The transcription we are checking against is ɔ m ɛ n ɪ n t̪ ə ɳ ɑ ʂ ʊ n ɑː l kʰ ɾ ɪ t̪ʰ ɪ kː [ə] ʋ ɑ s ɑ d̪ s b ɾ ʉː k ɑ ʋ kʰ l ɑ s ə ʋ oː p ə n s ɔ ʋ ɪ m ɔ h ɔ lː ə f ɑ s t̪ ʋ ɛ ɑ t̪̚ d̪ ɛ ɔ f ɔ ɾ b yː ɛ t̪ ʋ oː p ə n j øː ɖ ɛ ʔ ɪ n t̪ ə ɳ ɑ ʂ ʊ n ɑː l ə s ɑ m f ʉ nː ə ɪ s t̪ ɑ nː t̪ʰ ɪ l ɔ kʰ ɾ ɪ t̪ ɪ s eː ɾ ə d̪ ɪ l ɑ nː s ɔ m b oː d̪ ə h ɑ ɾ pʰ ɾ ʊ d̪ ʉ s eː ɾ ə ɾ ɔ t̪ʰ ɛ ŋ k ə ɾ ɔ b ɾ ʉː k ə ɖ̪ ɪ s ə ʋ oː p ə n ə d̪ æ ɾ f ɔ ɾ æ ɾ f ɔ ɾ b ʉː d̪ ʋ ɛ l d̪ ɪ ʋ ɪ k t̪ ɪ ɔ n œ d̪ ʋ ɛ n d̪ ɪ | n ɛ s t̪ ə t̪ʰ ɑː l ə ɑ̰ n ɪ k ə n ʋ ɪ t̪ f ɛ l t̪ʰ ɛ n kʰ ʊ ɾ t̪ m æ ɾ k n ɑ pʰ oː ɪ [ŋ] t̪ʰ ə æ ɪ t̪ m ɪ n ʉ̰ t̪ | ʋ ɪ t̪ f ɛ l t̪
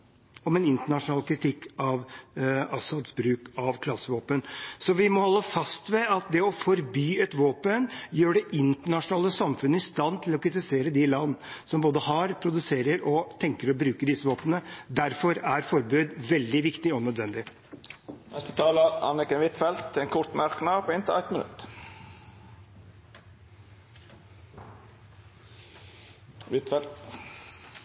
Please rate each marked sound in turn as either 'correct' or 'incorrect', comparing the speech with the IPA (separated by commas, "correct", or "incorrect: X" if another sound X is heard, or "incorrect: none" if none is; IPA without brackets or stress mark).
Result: incorrect: ɑ, incorrect: n